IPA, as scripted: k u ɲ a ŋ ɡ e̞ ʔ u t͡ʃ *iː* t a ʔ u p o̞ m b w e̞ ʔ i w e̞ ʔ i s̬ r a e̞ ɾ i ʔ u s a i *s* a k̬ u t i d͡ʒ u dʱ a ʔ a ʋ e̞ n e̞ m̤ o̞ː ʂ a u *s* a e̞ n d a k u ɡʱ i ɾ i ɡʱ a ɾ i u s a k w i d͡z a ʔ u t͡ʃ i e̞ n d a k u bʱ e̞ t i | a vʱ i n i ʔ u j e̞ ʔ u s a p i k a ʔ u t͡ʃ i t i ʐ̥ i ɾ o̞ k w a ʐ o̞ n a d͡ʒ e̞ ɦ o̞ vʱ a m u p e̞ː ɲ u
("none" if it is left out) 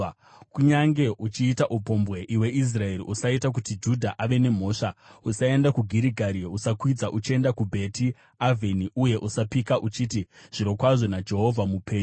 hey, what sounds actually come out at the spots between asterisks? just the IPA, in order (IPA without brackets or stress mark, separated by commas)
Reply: iː, t, s